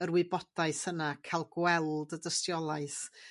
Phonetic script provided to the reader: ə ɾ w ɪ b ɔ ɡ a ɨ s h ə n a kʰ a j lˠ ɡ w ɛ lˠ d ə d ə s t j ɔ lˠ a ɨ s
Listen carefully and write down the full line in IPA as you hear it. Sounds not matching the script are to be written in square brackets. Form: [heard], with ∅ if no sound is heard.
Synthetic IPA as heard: ə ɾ w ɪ b ɔ [d] a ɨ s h ə n a kʰ a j lˠ ɡ w ɛ lˠ d ə d ə s t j ɔ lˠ a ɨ s